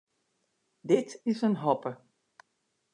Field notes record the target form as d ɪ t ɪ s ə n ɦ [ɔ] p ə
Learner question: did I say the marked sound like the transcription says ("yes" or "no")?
yes